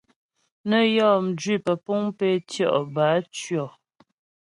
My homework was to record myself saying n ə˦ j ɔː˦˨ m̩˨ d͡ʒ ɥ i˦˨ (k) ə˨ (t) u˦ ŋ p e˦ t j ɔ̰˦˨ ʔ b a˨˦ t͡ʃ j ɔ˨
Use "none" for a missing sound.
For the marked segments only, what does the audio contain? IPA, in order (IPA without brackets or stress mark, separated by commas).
p, p